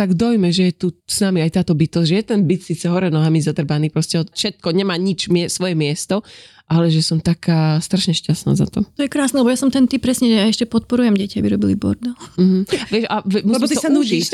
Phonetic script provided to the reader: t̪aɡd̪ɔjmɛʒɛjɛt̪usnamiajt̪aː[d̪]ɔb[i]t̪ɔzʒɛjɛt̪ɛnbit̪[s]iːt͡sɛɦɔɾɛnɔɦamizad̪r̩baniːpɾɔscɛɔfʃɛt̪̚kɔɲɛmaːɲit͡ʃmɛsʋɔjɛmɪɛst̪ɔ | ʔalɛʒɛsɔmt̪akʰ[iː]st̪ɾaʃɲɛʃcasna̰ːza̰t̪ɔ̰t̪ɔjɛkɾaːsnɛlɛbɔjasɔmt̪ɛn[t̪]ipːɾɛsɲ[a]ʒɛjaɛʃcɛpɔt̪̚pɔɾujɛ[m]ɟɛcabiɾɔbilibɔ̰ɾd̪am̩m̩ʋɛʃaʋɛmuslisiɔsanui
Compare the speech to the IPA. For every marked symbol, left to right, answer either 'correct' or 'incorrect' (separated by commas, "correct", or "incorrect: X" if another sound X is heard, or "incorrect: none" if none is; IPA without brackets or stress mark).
incorrect: t̪, correct, correct, incorrect: aː, correct, incorrect: ɛ, correct